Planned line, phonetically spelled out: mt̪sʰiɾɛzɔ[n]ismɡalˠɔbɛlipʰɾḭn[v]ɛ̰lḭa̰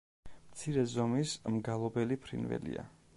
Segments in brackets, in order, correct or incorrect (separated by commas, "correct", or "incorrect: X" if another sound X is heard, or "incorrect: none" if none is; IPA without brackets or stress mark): incorrect: m, correct